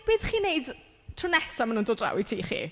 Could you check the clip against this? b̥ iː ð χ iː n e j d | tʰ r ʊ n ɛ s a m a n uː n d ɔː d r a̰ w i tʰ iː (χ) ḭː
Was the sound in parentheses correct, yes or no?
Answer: yes